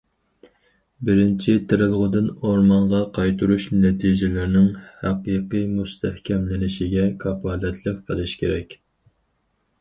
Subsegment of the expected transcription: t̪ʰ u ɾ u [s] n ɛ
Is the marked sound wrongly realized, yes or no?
yes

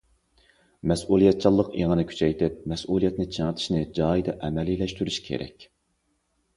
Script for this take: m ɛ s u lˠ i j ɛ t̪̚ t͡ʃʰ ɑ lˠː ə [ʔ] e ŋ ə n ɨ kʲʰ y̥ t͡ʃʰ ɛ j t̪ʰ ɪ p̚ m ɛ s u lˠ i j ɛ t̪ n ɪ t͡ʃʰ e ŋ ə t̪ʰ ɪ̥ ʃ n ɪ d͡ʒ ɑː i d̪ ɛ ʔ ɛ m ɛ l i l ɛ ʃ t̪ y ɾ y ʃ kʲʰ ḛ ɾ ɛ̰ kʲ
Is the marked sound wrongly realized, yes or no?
yes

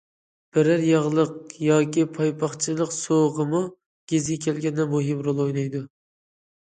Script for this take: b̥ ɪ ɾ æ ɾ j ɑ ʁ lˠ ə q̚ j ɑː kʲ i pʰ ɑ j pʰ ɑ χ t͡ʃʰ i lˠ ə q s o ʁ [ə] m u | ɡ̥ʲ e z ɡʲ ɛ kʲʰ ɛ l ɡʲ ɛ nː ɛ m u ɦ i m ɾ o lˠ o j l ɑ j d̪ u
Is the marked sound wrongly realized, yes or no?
no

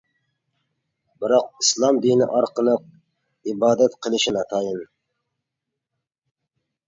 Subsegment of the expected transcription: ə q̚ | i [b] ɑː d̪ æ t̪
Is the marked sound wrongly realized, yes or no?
no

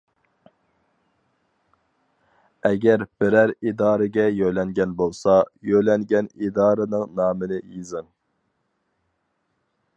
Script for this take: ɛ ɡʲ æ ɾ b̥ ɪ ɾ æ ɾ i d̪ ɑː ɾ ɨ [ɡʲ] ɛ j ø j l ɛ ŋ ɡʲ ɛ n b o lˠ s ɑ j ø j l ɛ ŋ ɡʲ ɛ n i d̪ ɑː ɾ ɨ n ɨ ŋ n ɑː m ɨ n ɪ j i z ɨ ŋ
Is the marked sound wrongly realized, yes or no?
no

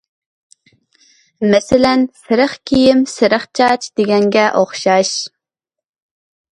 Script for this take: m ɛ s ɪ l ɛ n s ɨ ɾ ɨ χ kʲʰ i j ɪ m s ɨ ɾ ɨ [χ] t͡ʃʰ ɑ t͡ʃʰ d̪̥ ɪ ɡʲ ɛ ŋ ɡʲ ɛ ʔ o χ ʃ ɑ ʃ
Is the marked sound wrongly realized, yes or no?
no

